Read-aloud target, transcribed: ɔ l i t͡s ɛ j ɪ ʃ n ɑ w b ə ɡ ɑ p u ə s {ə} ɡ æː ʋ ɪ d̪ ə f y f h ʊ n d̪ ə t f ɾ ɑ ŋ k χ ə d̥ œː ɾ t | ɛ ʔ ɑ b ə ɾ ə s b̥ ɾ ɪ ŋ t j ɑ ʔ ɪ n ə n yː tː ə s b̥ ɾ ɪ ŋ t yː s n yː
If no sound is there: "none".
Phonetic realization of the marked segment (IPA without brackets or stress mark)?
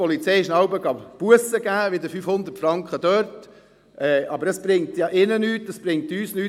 ə